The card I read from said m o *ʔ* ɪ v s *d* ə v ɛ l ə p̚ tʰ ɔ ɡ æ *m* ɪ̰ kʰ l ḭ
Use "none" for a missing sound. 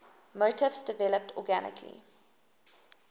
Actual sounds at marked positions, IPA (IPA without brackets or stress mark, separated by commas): t, d, n